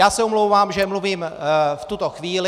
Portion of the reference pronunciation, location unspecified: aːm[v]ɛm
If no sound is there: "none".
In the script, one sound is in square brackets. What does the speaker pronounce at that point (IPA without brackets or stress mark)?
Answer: ʒ